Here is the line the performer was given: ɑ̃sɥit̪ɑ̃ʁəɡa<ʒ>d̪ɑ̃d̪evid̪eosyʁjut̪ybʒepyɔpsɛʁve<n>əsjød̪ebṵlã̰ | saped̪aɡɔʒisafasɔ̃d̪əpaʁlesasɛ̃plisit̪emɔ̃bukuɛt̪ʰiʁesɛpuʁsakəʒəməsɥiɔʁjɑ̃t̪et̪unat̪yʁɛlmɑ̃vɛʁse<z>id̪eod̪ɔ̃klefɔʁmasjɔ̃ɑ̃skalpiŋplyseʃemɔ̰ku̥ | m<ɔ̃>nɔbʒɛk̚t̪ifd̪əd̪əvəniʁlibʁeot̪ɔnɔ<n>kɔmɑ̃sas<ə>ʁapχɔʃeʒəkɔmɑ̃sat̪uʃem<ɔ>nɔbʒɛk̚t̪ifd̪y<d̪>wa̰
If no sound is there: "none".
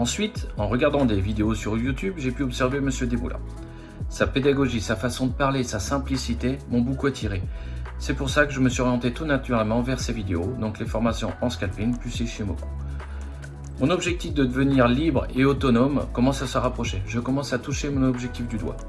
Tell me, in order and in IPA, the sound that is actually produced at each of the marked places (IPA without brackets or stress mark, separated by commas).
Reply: ʁ, m, v, ɔ̃, m, ə, ɔ̃, d̪